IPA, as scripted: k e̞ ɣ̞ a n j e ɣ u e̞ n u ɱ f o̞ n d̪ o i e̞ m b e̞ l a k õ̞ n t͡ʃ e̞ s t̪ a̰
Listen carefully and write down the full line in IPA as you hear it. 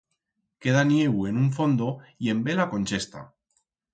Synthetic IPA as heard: k e̞ ð̞ a n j e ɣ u e̞ n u ɱ f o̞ n d̪ o i e̞ m b e̞ l a k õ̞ n t͡ʃ e̞ s t̪ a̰